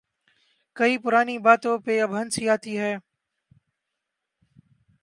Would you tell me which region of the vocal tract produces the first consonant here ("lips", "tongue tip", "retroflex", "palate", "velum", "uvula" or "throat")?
velum